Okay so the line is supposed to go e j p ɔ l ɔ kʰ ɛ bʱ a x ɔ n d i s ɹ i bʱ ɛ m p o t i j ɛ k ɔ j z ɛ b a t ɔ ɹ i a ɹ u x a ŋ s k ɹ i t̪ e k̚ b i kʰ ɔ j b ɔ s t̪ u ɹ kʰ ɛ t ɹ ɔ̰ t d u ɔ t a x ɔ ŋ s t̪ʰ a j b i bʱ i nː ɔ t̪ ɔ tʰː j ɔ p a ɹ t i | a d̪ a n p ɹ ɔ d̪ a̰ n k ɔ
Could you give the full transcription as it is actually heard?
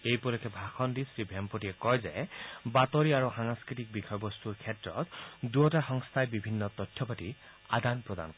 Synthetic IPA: e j p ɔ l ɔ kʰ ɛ bʱ a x ɔ n d i s ɹ i bʱ ɛ m p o t i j ɛ k ɔ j z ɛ b a t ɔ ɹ i a ɹ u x a ŋ s k ɹ i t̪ i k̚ b i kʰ ɔ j b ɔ s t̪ u ɹ kʰ ɛ t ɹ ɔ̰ t d u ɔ t a x ɔ ŋ s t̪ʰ a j b i bʱ i nː ɔ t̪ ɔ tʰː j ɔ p a t i | a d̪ a n p ɹ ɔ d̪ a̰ n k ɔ